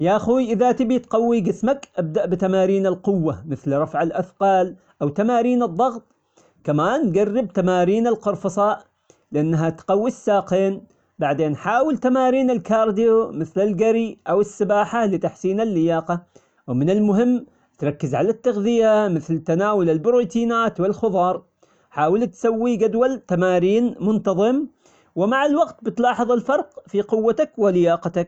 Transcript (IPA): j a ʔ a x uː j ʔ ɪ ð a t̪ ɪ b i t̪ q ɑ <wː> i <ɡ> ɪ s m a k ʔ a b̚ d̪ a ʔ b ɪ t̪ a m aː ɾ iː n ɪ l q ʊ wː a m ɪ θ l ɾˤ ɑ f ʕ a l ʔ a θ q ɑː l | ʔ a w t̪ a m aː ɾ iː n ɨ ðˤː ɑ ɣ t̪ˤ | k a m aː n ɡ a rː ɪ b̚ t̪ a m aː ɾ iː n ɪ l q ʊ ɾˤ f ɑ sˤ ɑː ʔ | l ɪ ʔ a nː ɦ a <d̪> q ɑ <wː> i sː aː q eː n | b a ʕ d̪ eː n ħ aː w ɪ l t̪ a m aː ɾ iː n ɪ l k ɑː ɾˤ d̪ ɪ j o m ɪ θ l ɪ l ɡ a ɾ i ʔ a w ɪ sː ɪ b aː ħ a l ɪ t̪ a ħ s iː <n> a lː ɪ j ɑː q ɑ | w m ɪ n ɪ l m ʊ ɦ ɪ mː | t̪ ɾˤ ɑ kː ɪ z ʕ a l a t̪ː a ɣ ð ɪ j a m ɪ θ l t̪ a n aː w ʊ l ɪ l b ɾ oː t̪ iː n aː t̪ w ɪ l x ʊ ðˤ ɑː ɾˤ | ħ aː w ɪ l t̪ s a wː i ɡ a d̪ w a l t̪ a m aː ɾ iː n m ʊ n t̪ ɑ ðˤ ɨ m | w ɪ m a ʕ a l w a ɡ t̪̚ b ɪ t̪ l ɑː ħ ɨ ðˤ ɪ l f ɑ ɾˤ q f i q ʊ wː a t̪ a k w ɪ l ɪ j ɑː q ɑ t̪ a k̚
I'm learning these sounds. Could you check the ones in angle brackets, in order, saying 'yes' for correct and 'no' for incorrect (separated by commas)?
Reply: yes, yes, no, yes, yes